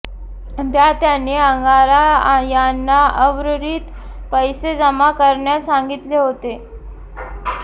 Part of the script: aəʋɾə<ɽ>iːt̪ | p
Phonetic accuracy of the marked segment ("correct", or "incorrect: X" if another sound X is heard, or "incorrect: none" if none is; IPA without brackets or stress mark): incorrect: ɾ